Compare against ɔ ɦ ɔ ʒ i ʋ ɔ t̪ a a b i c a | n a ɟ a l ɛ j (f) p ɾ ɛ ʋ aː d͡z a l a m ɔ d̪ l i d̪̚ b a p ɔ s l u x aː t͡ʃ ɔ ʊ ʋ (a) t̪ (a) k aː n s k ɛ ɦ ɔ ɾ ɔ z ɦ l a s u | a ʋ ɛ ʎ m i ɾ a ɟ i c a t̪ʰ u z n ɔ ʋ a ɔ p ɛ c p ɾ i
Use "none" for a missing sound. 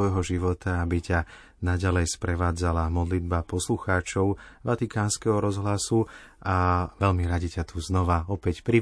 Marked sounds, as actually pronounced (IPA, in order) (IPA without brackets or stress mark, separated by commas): s, a, i